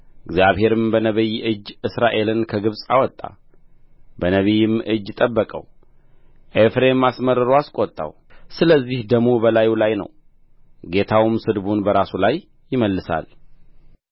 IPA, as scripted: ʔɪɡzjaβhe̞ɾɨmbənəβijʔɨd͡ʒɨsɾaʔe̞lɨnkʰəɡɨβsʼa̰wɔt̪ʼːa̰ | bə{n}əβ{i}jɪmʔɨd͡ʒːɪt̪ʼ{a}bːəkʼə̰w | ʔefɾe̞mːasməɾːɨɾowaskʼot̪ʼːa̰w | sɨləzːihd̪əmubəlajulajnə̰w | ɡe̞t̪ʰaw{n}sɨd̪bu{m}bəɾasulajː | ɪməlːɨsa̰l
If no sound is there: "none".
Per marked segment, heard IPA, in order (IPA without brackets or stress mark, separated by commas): n, i, ə, m, n